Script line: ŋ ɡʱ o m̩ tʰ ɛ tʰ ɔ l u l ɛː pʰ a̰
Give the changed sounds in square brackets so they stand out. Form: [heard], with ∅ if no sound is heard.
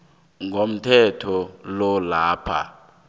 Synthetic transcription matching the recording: ŋ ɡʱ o m̩ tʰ ɛ tʰ ɔ l [ɔ] l [aː] pʰ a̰